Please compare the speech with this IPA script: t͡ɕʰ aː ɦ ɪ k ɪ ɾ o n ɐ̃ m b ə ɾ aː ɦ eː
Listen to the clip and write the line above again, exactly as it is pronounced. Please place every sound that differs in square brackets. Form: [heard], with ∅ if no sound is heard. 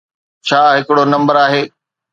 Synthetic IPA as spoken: t͡ɕʰ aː ɦ ɪ k ɪ [ɽ] o n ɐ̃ m b ə ɾ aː ɦ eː